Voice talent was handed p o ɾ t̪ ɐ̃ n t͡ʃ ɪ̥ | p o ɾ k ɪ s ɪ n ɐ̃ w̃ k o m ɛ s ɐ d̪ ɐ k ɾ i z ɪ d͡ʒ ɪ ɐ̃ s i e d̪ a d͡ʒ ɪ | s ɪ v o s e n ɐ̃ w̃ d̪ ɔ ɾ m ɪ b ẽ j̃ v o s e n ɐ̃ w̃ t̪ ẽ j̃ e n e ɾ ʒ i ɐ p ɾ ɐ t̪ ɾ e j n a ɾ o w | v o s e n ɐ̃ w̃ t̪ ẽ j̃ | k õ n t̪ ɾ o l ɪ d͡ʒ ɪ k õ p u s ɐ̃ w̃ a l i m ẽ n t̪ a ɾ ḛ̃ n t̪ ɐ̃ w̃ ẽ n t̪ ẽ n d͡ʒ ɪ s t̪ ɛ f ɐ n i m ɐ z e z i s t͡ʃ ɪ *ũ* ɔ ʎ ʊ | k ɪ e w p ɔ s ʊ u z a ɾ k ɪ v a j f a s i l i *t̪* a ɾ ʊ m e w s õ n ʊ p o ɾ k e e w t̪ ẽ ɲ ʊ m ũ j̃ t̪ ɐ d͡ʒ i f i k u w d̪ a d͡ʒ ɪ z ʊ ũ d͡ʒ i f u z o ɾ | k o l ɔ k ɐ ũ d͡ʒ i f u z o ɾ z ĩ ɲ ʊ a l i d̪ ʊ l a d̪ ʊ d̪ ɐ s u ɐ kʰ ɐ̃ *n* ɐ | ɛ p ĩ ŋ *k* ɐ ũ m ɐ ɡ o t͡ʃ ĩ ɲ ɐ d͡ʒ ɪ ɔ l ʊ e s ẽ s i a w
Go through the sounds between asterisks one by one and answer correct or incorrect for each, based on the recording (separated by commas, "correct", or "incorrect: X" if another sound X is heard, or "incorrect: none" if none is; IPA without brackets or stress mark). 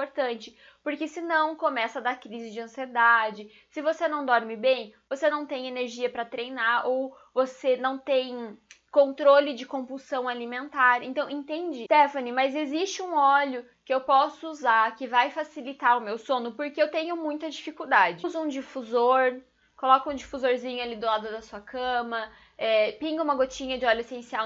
correct, correct, incorrect: m, incorrect: ɡ